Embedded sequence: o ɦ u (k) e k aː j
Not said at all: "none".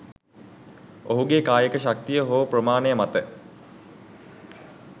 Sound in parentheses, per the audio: ɡ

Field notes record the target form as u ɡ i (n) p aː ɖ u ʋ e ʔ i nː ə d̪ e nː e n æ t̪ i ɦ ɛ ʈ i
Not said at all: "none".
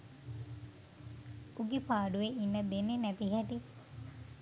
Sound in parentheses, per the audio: none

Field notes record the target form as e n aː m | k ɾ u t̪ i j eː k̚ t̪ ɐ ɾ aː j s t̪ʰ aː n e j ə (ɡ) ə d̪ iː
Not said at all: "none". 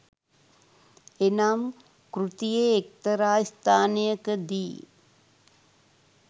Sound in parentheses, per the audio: k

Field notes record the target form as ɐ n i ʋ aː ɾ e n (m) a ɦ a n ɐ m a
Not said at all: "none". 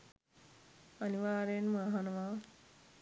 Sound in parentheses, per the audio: m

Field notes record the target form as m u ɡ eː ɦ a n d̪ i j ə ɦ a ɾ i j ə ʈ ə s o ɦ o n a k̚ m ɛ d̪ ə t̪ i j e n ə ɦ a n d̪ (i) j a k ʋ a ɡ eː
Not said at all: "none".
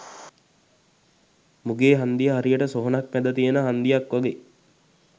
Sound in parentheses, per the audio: i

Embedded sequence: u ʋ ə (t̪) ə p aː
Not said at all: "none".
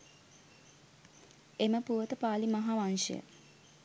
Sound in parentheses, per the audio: t̪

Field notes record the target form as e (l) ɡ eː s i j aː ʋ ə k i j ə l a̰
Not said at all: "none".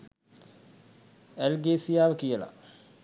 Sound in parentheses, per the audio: l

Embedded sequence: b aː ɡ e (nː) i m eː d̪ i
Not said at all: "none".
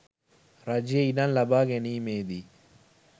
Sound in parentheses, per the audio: n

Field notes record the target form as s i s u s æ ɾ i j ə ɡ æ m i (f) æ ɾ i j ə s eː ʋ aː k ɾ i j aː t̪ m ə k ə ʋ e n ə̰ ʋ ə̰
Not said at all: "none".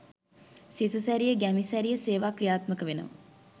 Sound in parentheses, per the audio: s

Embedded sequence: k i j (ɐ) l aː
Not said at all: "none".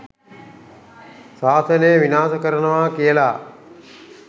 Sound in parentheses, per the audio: ə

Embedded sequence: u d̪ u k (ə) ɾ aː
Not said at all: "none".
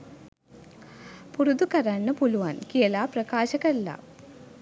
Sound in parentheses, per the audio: ɐ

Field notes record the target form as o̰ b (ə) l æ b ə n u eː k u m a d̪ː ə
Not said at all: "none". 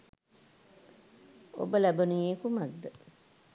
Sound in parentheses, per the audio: ə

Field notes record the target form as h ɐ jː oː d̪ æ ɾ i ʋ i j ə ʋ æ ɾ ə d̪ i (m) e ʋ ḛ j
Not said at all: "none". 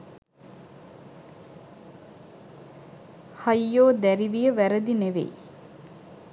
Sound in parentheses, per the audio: n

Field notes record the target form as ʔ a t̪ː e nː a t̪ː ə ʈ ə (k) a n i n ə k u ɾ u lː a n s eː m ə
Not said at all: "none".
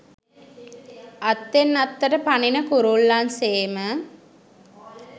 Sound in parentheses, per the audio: p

